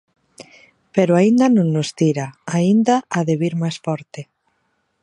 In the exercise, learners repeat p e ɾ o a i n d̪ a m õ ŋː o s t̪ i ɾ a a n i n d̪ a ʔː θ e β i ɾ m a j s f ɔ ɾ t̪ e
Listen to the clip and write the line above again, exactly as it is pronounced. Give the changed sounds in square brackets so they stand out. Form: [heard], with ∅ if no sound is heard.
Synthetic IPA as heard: p e ɾ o a i n d̪ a [n] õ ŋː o s t̪ i ɾ a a [∅] i n d̪ a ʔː [ð] e β i ɾ m a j s f ɔ ɾ t̪ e